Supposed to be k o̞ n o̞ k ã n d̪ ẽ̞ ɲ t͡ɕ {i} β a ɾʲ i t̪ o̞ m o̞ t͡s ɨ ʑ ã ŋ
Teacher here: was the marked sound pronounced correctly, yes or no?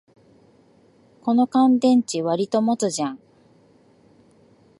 yes